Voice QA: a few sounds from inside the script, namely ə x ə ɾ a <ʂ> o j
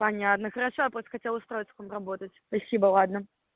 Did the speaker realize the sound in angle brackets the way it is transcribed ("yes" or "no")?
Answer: yes